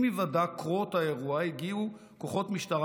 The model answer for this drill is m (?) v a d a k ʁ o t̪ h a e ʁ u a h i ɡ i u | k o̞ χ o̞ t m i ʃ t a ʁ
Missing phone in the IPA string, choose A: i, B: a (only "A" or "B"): A